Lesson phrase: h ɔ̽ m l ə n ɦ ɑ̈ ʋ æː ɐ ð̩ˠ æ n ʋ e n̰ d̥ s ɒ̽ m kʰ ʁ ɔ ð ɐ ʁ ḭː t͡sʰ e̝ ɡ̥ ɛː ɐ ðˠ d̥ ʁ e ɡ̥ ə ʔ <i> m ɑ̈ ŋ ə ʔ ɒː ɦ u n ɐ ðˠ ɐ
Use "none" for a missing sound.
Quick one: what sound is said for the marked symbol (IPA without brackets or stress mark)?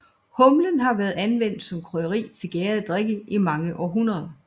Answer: i